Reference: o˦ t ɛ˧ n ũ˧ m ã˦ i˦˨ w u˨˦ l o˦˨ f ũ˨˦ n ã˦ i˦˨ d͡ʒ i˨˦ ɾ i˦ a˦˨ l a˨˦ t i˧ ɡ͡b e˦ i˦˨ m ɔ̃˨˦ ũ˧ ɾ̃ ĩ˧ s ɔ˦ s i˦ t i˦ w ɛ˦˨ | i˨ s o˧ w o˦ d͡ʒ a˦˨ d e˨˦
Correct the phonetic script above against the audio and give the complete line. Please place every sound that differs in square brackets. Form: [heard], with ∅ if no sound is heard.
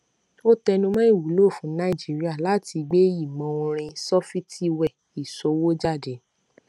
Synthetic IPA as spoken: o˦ t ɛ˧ n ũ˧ m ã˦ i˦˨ w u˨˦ l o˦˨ f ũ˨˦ n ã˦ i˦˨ d͡ʒ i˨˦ ɾ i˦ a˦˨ l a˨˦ t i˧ ɡ͡b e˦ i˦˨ m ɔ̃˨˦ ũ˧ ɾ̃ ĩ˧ s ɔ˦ [f] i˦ t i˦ w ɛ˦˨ | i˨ s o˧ w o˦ d͡ʒ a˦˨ d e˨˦